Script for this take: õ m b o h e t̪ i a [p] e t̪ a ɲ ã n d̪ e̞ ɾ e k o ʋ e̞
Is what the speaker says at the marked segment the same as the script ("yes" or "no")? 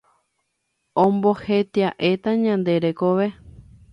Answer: no